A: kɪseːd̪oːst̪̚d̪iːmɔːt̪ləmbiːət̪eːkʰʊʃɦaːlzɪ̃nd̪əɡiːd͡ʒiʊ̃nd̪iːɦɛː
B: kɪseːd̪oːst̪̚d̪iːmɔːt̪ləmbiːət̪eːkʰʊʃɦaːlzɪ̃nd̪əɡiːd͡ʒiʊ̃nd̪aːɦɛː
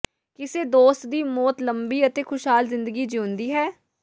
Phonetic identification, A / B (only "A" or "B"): A